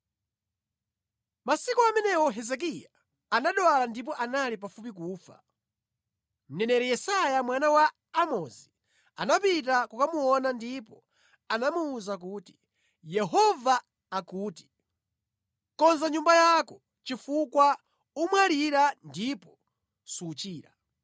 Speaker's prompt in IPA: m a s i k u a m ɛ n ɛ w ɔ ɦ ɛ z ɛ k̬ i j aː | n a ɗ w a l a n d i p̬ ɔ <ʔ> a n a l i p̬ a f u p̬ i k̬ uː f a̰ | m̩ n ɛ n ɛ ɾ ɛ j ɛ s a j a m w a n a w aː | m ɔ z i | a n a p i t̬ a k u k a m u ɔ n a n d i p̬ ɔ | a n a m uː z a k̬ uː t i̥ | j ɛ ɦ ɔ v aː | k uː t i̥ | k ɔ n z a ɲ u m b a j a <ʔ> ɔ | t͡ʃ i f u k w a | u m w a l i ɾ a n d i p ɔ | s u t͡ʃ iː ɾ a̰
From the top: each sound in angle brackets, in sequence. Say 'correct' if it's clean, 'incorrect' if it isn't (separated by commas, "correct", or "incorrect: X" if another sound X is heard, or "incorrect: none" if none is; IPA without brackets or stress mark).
correct, incorrect: k